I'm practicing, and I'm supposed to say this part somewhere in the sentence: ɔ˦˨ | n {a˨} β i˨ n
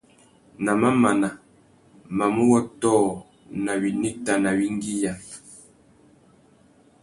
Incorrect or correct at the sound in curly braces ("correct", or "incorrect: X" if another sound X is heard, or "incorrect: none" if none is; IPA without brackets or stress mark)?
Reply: correct